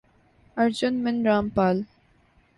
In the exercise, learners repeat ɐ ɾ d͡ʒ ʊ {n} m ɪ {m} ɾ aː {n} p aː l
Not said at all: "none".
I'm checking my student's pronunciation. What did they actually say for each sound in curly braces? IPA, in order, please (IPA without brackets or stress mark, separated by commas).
n, n, m